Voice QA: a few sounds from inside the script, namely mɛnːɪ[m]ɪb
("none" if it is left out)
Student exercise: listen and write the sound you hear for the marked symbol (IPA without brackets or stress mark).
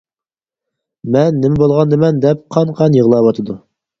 m